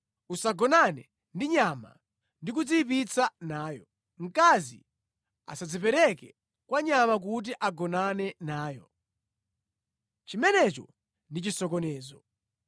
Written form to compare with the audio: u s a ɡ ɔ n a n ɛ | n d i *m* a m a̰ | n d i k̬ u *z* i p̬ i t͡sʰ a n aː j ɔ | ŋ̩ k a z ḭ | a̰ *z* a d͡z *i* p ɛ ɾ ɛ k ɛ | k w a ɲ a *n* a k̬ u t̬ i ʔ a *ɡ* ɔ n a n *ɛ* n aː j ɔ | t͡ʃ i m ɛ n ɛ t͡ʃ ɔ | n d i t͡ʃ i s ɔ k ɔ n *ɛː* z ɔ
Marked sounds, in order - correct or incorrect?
incorrect: ɲ, incorrect: d͡z, incorrect: s, correct, incorrect: m, correct, correct, correct

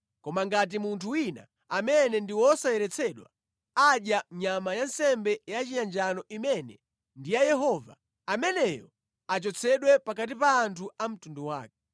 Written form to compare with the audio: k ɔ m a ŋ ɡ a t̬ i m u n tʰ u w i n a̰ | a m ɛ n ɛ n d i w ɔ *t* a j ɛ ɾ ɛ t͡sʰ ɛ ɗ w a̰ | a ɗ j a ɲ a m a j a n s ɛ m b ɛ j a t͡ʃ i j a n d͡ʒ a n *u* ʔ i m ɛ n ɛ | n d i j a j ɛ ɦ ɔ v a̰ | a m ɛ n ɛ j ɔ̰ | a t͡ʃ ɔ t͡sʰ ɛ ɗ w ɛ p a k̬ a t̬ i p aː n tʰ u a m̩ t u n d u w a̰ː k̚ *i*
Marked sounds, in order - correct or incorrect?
incorrect: s, incorrect: ɔ, incorrect: ɛ

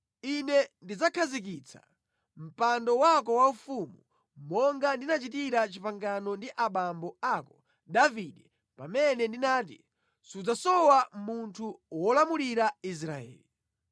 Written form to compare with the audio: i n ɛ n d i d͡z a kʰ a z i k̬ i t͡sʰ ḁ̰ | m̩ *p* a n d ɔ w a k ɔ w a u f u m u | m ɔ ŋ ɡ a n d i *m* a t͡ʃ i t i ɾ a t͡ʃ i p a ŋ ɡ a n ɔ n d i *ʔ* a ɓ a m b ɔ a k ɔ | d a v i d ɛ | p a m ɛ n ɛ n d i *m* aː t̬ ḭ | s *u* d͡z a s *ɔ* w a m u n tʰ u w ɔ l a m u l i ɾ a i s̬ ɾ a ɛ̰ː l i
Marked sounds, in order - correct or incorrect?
correct, incorrect: n, correct, incorrect: n, correct, correct

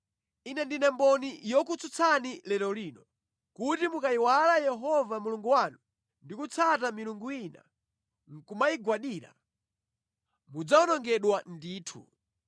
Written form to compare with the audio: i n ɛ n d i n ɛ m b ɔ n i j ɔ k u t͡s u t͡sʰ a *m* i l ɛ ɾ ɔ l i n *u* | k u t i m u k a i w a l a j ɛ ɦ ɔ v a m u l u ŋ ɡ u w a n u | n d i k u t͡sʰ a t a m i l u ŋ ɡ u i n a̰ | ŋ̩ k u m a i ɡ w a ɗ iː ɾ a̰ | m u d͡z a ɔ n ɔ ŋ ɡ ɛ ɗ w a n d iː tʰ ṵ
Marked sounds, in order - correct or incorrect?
incorrect: n, incorrect: ɔ

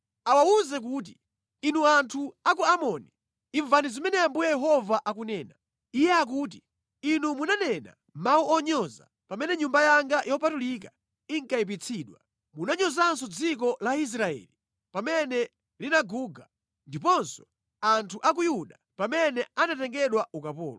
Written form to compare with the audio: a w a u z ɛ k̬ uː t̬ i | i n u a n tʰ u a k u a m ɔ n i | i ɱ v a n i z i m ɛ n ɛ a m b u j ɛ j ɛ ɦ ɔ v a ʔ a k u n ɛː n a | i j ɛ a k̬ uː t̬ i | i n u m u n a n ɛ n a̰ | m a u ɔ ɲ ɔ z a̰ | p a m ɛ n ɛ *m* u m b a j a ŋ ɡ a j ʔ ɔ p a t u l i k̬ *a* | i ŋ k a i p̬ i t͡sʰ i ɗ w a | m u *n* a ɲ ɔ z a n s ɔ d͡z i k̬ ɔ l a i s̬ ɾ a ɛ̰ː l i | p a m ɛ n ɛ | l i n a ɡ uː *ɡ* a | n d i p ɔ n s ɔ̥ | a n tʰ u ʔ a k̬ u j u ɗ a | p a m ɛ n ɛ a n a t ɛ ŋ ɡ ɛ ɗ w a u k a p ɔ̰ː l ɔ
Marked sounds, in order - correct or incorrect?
incorrect: ɲ, correct, correct, correct

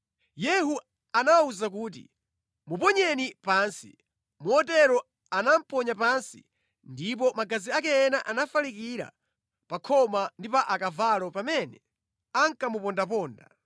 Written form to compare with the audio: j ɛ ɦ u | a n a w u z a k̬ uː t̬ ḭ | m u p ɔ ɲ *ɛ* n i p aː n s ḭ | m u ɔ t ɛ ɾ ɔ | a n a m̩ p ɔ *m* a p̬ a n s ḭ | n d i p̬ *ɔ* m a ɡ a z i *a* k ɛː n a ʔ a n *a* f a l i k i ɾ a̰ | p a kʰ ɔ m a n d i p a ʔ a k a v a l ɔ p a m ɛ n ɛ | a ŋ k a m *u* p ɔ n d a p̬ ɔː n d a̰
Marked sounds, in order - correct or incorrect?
correct, incorrect: ɲ, correct, correct, correct, correct

